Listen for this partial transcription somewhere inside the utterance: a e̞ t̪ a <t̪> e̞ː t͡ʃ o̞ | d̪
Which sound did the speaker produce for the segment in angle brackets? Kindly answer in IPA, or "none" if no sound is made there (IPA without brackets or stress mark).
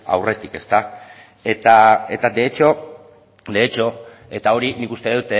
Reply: d̪